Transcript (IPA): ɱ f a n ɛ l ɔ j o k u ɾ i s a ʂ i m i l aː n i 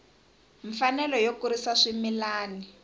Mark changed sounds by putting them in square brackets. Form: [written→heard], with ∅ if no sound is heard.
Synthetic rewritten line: ɱ f a n ɛ l ɔ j o k u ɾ i s a ʂ i m i l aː n i